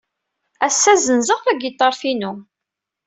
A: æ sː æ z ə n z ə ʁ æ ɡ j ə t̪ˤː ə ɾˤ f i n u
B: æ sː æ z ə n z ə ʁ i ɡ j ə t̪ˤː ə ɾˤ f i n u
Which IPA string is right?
A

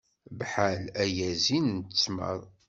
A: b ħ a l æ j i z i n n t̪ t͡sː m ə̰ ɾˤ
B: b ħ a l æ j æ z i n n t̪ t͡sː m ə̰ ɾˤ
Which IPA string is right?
B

